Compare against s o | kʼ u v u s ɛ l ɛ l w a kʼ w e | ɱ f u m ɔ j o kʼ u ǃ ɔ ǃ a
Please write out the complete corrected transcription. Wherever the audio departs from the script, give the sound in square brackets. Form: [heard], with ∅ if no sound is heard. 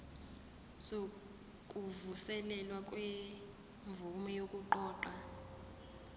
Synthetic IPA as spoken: s o | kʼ u v u s ɛ l ɛ l w a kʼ w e | ɱ [v] u m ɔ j o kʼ u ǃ [ɔː] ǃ a